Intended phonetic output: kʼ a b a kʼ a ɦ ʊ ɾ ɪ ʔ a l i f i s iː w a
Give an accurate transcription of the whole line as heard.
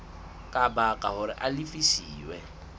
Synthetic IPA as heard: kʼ a b a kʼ a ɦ ʊ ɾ ɪ ʔ a l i f i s iː w ɛ